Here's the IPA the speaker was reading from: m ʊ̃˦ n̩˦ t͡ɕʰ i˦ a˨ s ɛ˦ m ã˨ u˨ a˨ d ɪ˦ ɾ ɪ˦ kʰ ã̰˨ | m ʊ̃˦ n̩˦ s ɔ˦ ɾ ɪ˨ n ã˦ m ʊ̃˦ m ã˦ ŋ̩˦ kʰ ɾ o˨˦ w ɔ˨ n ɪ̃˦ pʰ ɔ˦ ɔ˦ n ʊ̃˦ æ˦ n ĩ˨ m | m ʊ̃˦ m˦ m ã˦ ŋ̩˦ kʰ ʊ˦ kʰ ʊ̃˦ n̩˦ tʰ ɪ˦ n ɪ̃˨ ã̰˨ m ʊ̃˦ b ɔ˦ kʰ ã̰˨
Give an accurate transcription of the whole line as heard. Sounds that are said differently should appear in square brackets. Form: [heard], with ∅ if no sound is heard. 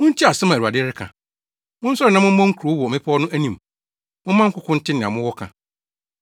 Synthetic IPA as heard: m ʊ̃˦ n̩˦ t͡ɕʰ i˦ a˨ s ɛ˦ m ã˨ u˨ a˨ d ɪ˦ ɾ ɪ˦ kʰ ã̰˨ | m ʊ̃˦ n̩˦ s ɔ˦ ɾ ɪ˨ n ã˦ m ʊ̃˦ m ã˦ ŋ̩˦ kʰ ɾ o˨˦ w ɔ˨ [m] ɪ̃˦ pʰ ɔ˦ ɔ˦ n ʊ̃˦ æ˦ n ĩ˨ m | m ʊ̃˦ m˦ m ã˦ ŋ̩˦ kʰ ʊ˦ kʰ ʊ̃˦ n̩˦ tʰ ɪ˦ n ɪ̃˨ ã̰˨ m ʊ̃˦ [w] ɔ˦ kʰ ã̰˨